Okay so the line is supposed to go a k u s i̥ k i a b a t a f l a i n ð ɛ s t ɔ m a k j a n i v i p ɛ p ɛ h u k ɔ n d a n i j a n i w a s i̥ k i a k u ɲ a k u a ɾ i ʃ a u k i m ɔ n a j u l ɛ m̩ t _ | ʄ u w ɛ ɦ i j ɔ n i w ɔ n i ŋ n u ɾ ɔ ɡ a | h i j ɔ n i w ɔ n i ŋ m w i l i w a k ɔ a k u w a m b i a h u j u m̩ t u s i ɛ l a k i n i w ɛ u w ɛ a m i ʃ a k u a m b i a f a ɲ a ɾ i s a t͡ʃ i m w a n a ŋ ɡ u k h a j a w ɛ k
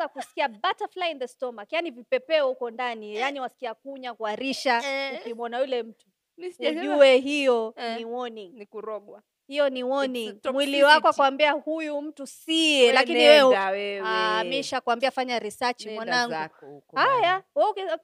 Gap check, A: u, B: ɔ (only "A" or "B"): A